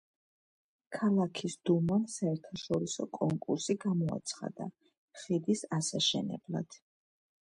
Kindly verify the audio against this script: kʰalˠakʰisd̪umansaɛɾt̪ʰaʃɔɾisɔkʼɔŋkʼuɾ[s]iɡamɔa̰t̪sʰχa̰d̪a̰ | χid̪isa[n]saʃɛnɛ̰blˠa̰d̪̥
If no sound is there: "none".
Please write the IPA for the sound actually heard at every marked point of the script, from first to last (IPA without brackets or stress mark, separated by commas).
s, none